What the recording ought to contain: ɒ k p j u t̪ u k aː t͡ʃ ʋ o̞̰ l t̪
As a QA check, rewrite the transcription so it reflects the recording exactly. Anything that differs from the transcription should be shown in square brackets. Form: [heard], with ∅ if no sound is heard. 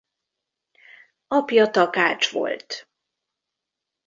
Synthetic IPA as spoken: ɒ [∅] p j [ɒ] t̪ [ɒ] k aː t͡ʃ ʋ o̞̰ l t̪